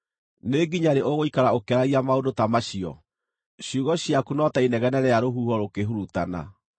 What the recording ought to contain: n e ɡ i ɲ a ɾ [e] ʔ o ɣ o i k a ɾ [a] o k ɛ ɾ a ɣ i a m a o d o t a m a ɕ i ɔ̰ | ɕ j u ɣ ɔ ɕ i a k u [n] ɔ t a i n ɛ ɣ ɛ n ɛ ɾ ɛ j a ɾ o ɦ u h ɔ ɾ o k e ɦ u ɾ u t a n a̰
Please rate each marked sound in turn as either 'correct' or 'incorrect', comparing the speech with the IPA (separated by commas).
correct, correct, correct